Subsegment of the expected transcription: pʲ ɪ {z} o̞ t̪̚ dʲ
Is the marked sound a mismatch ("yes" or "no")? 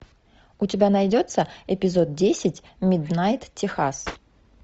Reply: no